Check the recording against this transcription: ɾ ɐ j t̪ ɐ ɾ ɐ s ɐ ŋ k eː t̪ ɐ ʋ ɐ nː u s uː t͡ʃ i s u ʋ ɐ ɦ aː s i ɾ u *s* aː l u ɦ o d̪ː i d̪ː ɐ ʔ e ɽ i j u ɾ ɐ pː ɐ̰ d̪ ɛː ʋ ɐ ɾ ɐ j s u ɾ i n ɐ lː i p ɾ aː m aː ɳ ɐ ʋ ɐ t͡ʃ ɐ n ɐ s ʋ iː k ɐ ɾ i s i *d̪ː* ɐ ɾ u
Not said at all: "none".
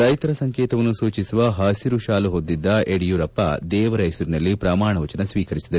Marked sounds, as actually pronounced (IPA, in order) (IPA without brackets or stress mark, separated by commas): ʃ, d̪